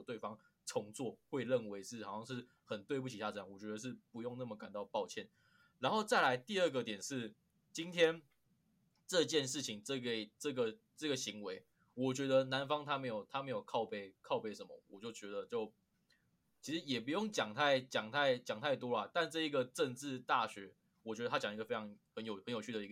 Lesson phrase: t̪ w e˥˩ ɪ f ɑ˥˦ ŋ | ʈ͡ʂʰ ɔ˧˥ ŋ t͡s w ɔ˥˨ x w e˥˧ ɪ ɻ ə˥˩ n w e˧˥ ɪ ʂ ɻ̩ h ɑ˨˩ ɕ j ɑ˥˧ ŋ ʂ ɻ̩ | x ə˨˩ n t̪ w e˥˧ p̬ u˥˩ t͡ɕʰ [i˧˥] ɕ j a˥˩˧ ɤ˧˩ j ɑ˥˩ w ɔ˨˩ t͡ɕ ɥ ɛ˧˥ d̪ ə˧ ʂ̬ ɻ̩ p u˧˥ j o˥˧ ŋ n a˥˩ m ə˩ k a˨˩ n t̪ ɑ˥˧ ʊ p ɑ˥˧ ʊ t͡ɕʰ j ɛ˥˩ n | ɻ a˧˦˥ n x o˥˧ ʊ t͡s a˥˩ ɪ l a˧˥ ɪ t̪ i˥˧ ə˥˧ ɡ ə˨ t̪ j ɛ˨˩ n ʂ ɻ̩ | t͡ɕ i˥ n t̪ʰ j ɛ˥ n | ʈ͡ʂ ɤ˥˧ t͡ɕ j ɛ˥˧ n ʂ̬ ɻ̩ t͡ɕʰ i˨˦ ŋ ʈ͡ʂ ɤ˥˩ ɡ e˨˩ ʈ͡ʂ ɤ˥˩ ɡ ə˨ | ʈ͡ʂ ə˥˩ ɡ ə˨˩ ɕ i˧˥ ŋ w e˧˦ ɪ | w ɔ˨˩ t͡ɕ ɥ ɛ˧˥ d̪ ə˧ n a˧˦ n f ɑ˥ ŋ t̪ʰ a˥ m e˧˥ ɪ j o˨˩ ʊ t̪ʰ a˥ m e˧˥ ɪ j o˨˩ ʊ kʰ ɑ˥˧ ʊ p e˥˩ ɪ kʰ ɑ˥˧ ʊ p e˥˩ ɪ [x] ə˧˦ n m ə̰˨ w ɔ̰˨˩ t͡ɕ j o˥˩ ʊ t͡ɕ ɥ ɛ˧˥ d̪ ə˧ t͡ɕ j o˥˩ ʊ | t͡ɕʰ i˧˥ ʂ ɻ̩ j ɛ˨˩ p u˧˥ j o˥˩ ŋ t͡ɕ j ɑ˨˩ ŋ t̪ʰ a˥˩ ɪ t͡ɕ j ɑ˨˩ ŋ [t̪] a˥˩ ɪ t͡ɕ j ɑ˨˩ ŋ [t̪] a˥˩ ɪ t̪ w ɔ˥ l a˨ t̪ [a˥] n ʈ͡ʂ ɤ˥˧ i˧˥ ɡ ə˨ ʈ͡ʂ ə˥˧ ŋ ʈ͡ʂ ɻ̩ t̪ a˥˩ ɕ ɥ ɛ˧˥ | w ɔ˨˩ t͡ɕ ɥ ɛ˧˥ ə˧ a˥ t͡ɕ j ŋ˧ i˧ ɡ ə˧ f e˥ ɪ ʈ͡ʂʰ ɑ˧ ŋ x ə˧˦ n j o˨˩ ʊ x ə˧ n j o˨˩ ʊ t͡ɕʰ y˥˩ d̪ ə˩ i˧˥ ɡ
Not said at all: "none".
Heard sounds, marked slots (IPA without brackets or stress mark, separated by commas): i˨, ʂ, t̪ʰ, t̪ʰ, a˥˧